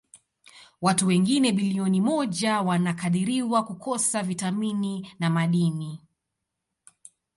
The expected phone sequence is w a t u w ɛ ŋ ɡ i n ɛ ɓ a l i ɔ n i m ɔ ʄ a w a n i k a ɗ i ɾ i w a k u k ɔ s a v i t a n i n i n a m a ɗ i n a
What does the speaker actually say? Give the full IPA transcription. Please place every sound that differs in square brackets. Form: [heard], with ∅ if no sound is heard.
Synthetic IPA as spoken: w a t u w ɛ ŋ ɡ i n ɛ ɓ [i] l i ɔ n i m ɔ ʄ a w a n [a] k a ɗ i ɾ i w a k u k ɔ s a v i t a [m] i n i n a m a ɗ i n [i]